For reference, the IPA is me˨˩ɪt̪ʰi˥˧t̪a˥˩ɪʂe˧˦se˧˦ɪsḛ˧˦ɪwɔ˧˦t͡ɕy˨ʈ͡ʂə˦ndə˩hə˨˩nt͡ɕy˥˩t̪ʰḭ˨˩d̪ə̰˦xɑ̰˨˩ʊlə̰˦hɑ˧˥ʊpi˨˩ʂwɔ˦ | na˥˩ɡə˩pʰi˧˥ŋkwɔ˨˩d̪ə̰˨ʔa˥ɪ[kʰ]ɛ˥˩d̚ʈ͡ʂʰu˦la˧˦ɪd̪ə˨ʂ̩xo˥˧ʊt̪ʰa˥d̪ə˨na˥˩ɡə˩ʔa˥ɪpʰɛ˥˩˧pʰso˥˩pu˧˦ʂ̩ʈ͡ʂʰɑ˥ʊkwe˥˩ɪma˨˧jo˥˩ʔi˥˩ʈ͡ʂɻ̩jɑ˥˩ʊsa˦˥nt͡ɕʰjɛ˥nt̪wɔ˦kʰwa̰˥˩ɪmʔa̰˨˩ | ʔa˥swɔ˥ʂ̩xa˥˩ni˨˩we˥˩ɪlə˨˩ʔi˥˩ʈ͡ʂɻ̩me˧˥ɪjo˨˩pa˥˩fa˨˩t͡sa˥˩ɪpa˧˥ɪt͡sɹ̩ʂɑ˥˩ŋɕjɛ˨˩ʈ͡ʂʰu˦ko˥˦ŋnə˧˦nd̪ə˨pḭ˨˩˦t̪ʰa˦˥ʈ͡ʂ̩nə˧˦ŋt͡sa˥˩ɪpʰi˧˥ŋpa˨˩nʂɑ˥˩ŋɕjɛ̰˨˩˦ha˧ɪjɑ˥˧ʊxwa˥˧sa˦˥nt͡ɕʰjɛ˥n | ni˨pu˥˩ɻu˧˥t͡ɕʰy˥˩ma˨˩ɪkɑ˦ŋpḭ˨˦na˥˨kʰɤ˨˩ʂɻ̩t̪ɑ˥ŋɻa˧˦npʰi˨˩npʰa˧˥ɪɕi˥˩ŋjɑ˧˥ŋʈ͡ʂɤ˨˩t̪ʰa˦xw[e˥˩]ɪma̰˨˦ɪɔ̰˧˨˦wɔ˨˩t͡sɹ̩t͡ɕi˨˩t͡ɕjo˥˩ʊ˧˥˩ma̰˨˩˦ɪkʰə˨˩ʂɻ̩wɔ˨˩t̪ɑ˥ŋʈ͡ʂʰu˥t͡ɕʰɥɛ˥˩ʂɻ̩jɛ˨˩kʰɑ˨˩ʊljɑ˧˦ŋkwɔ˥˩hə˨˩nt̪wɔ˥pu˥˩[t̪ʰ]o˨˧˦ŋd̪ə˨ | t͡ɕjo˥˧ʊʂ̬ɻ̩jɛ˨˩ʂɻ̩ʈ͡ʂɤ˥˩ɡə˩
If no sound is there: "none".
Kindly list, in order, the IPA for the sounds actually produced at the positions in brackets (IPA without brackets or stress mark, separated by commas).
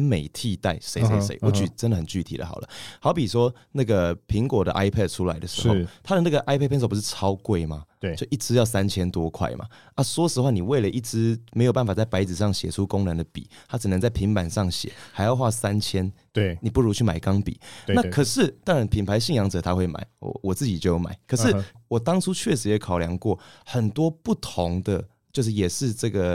pʰ, e˥˩, t̪ʰ